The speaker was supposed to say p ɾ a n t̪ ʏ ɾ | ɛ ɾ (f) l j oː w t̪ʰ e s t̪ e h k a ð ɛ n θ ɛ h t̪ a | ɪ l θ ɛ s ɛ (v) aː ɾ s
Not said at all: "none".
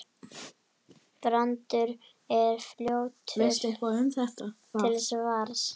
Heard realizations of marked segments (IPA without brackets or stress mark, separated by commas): f, v